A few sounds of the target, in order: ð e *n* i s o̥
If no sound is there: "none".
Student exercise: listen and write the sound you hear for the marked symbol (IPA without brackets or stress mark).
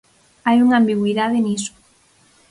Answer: n